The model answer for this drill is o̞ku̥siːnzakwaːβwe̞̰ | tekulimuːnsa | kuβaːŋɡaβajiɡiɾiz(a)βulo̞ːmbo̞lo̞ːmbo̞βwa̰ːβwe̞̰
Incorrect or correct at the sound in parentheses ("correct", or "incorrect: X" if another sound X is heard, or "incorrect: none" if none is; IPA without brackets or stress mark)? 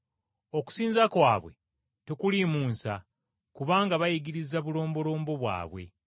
correct